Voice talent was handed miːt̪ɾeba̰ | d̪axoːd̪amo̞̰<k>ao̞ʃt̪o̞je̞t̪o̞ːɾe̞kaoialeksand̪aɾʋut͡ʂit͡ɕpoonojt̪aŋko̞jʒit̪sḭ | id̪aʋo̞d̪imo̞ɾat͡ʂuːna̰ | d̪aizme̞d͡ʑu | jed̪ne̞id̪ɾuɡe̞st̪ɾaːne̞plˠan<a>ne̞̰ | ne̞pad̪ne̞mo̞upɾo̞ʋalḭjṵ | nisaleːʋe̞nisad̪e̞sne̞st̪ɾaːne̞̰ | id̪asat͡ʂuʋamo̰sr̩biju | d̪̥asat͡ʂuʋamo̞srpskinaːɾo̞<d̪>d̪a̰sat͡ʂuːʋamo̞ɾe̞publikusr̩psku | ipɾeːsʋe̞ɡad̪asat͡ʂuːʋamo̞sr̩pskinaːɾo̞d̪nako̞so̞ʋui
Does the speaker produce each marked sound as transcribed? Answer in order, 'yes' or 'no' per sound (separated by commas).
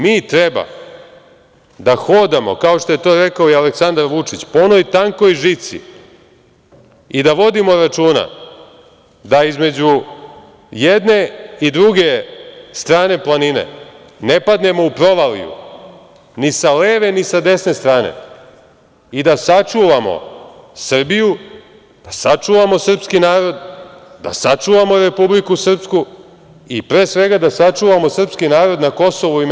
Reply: yes, no, yes